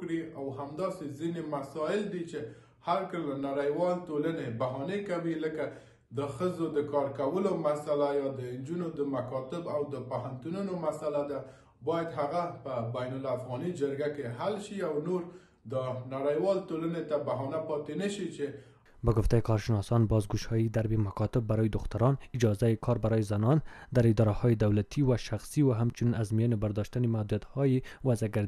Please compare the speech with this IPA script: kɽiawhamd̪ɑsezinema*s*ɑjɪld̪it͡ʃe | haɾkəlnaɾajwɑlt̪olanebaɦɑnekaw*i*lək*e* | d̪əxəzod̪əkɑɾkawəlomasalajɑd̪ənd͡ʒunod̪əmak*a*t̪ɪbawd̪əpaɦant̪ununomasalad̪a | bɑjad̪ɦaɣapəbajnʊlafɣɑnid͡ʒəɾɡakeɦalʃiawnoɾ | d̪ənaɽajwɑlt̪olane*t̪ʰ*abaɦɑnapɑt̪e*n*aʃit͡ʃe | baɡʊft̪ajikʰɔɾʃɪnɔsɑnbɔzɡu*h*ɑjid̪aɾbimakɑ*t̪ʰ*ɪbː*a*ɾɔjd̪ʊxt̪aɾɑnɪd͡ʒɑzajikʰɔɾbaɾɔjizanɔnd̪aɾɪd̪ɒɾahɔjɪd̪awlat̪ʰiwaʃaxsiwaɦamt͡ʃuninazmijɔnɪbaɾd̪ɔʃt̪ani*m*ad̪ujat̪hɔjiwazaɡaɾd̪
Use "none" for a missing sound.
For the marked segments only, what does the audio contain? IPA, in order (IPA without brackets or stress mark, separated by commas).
s, i, a, ɑ, t̪, n, ʃ, t̪, a, m